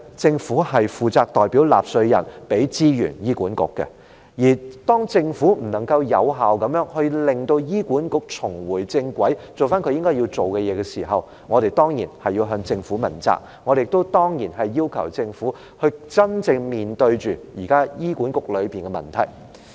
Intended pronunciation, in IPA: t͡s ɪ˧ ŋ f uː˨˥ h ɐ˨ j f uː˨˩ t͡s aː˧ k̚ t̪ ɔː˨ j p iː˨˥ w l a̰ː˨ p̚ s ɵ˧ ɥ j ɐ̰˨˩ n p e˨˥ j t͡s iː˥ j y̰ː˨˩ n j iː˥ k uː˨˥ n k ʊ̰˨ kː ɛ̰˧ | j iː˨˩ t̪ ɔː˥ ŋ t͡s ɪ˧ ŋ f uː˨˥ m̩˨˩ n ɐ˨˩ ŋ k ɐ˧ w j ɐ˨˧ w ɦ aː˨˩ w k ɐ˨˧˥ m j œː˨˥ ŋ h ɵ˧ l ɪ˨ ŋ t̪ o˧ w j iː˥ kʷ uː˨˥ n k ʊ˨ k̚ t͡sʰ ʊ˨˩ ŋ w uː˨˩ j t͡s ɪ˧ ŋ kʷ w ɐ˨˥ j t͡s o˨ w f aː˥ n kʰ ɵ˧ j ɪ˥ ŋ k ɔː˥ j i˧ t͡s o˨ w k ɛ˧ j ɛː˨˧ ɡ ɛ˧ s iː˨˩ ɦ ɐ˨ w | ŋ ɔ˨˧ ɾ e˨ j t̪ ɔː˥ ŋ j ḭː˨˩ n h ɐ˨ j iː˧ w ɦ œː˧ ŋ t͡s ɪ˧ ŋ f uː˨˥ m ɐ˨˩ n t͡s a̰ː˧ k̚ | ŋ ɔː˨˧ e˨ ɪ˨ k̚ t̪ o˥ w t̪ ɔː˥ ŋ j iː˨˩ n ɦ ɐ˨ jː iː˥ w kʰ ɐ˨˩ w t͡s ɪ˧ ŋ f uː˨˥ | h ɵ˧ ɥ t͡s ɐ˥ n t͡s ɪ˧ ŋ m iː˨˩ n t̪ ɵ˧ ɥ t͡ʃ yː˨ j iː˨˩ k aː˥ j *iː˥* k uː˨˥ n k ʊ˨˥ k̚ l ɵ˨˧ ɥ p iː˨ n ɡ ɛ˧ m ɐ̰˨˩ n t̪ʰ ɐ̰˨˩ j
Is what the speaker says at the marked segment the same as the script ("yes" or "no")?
yes